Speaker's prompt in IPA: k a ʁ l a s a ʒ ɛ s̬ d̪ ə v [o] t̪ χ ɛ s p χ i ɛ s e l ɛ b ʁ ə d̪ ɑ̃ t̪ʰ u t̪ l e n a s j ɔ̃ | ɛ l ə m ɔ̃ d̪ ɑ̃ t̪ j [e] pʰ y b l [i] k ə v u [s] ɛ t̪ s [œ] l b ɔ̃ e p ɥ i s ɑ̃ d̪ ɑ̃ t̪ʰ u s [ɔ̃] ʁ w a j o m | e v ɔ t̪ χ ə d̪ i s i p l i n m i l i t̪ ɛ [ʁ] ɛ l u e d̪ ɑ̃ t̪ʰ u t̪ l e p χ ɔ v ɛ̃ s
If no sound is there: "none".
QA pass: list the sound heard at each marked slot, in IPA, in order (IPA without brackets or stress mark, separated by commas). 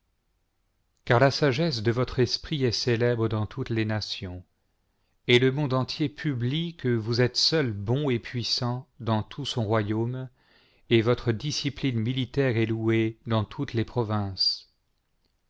ɔ, e, i, z, œ, ɔ̃, ʁ